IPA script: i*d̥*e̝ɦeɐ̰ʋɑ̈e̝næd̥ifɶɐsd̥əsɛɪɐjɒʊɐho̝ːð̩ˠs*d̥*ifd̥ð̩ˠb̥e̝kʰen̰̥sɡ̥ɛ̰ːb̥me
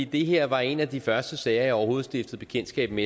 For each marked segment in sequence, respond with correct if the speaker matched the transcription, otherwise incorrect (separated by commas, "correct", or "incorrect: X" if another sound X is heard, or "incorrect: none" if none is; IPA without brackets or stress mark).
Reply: correct, correct